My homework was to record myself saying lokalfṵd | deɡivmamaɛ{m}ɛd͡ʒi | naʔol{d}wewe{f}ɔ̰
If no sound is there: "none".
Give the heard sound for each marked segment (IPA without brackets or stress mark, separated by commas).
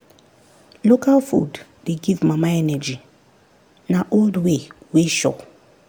n, d, ʃ